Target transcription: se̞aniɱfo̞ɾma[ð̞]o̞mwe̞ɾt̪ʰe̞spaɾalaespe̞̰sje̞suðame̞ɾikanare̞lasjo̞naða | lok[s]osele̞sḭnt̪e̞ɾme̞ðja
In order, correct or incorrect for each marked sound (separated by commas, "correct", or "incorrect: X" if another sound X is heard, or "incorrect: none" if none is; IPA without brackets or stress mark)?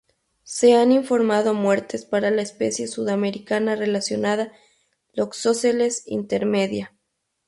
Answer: correct, correct